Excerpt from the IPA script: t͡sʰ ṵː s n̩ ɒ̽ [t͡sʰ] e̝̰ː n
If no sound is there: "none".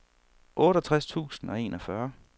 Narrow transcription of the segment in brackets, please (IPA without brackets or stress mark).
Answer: none